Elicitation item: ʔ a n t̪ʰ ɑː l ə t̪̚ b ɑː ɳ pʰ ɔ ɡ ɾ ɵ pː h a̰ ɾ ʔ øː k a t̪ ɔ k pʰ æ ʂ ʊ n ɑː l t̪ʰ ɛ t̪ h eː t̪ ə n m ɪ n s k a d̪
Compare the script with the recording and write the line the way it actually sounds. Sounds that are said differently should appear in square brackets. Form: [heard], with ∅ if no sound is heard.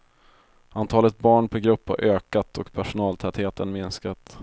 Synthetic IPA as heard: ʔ a n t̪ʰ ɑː l ə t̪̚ b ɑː ɳ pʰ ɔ ɡ ɾ ɵ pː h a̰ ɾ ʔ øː k a t̪ ɔ k pʰ æ ʂ ʊ n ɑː l t̪ʰ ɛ t̪ h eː t̪ ə n m ɪ n s k a [t̪]